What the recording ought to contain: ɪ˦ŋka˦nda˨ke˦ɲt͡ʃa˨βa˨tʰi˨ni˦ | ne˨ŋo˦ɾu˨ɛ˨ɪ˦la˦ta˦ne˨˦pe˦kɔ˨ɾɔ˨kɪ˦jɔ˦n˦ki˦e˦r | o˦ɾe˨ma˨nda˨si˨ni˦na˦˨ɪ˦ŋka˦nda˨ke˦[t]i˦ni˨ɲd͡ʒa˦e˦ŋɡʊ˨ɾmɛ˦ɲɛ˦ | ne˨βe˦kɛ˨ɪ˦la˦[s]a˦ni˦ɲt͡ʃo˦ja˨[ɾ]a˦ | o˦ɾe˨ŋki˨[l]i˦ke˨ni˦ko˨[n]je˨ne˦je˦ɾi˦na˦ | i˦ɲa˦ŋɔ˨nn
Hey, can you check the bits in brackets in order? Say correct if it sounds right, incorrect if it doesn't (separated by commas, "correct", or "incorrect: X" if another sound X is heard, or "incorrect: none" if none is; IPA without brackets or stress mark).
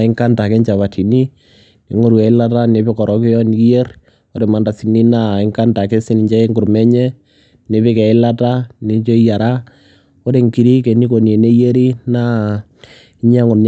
incorrect: s, incorrect: t, correct, incorrect: ɾ, correct